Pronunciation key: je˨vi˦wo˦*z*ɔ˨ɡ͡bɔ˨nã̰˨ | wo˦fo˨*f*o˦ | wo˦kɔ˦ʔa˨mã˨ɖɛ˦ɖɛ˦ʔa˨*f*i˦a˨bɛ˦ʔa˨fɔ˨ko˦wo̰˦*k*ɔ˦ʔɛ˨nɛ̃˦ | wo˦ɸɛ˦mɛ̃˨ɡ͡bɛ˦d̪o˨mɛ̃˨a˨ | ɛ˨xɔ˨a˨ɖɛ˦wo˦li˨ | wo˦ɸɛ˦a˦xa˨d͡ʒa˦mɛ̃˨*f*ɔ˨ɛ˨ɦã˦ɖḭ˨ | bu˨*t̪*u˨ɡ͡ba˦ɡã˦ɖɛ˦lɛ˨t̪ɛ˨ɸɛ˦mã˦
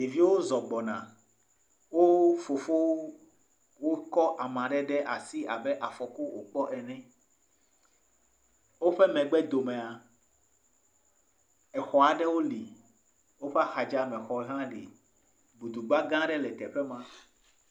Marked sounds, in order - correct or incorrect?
correct, correct, incorrect, incorrect, incorrect, incorrect

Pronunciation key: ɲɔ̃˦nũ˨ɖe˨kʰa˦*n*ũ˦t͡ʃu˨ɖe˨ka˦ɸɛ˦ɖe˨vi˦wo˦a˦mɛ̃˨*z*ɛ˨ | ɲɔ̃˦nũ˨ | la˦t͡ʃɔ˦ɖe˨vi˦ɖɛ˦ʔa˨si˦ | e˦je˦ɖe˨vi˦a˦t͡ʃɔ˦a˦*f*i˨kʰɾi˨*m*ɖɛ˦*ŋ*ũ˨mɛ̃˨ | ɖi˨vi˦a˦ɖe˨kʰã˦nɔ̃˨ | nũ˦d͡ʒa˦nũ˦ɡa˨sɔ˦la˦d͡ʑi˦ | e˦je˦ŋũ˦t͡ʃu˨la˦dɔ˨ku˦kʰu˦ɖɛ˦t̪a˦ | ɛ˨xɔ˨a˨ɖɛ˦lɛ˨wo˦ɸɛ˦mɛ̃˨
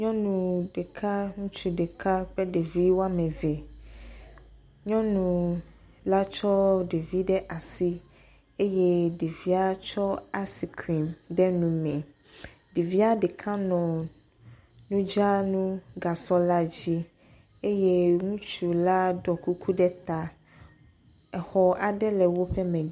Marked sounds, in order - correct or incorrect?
incorrect, incorrect, incorrect, correct, incorrect

